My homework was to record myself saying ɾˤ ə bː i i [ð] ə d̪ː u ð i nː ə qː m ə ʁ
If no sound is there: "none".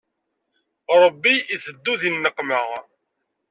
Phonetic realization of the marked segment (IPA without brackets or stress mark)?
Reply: θ